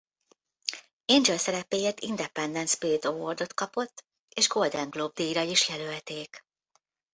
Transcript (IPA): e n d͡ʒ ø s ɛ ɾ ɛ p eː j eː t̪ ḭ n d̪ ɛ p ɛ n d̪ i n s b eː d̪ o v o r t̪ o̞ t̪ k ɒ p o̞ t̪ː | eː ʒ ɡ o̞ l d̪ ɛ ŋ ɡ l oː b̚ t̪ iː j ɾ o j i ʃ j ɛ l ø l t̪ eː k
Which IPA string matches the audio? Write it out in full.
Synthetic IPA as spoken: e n d͡ʒ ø s ɛ ɾ ɛ p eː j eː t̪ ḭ n d̪ ɛ p ɛ n d̪ ɛ n s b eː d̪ o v o r d̪ o̞ t̪ k ɒ p o̞ t̪ː | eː ʒ ɡ o̞ l d̪ ɛ ŋ ɡ l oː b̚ d̪ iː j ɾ ɒ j i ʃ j ɛ l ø l t̪ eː k